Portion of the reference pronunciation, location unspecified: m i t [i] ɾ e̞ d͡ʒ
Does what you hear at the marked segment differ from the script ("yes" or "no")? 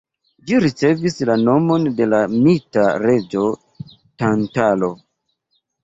yes